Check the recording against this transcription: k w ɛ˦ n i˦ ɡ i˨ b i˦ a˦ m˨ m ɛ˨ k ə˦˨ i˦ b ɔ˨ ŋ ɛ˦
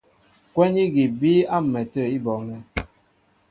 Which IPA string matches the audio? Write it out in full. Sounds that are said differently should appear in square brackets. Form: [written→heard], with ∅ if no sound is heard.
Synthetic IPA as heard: k w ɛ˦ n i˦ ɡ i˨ b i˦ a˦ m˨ m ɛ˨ [k→t] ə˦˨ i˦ b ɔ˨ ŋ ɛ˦